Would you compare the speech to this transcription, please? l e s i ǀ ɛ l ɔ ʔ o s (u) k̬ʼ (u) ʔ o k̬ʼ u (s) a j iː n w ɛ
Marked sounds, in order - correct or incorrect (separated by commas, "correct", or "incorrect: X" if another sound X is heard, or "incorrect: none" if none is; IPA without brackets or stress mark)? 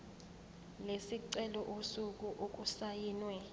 correct, correct, correct